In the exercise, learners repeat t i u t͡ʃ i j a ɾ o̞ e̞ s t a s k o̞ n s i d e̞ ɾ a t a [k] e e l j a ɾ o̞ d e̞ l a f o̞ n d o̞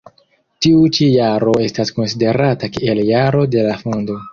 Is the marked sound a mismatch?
no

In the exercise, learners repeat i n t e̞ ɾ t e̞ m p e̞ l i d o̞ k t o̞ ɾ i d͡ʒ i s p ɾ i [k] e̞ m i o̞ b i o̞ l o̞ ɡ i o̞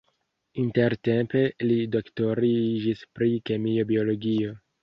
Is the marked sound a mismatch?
no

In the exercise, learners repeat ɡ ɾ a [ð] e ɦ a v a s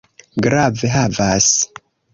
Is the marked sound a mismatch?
yes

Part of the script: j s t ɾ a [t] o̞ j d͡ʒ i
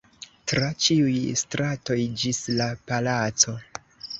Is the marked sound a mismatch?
no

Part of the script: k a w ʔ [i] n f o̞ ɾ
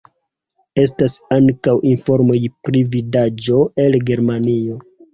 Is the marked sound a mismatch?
no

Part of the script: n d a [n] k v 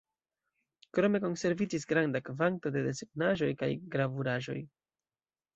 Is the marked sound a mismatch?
yes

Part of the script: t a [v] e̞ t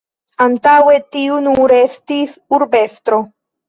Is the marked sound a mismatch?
yes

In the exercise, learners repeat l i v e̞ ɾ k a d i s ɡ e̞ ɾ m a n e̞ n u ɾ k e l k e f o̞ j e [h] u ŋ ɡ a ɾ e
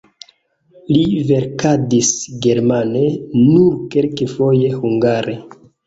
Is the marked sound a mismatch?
no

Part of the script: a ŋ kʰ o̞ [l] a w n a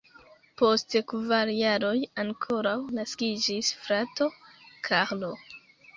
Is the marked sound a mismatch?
yes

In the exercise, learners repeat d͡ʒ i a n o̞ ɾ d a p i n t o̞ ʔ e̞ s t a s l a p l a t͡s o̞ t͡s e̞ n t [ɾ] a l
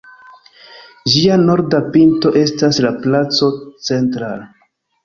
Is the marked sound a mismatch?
no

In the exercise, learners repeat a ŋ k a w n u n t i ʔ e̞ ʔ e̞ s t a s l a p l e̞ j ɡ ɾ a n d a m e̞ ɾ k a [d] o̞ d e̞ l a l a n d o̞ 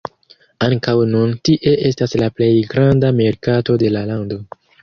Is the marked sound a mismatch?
yes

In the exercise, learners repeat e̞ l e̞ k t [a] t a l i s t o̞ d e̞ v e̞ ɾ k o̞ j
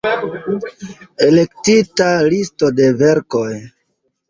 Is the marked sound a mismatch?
yes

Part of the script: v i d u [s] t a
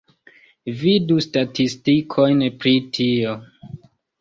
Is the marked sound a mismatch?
no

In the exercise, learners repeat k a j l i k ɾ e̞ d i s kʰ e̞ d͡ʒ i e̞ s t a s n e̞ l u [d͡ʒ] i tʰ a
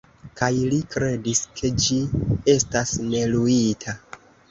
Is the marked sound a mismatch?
yes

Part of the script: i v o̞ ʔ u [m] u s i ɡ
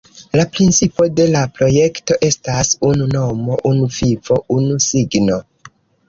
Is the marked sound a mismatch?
yes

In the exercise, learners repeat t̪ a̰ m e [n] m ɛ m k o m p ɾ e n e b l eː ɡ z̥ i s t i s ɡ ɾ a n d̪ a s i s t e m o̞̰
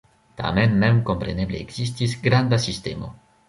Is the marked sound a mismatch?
no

